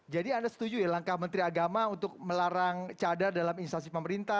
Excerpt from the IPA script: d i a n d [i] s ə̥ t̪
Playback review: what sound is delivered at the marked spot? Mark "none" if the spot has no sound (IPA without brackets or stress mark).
a